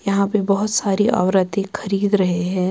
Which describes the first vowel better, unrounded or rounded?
unrounded